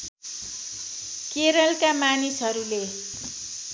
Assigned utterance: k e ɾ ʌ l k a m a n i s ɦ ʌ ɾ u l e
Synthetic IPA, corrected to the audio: k e ɾ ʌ l k a m a n i s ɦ ʌ ɾ u l e

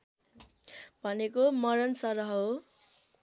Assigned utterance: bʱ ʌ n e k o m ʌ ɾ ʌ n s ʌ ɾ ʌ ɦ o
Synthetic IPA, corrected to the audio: bʱ ʌ n e k o m ʌ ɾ ʌ n s ʌ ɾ ʌ ɦ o

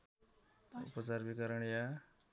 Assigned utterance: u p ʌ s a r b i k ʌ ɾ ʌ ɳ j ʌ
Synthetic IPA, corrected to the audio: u p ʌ t͡s a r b i k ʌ ɾ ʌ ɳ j a

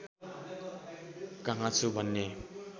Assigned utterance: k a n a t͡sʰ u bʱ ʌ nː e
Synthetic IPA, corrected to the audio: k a ŋ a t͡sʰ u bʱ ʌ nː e

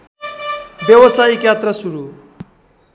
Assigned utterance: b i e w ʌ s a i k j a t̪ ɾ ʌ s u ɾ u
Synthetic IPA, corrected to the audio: b j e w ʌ s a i k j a t̪ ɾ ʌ s u ɾ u

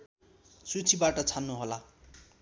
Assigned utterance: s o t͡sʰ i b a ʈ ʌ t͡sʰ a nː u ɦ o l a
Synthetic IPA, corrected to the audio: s u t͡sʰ i b a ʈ ʌ t͡sʰ a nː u ɦ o l a

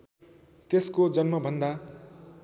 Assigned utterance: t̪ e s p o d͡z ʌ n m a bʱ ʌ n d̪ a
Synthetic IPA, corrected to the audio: t̪ e s k o d͡z ʌ n m ʌ bʱ ʌ n d̪ a

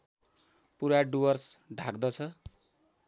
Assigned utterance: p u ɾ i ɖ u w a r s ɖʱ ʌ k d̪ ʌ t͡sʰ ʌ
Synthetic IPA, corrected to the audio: p u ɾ a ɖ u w ʌ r s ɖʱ a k d̪ ʌ t͡sʰ ʌ

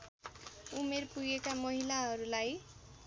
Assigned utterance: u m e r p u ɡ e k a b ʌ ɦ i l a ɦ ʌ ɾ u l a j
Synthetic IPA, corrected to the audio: u m e r p u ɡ e k a m ʌ ɦ i l a ɦ ʌ ɾ u l a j

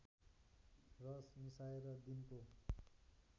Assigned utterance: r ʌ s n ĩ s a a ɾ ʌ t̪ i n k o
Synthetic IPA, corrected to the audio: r ʌ s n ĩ s a e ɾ ʌ d̪ i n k o

